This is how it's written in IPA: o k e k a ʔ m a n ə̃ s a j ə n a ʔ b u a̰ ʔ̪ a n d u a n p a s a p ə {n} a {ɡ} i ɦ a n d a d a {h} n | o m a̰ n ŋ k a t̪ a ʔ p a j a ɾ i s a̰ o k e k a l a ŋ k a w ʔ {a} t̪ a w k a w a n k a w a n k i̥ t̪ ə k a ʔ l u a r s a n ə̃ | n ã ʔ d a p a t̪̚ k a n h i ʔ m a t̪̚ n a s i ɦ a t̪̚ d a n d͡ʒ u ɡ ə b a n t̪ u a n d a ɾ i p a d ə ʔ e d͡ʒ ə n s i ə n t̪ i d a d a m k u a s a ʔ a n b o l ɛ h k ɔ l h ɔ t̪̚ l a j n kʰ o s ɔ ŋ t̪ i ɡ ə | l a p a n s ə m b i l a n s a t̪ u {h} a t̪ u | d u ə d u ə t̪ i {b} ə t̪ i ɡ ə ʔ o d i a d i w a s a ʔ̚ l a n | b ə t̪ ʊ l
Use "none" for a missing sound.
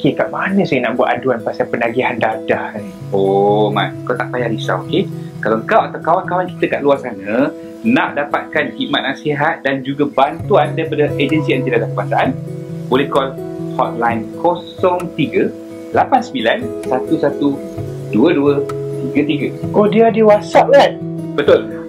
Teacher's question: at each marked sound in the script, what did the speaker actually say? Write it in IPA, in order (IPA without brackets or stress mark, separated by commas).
n, ɡ, h, a, s, ɡ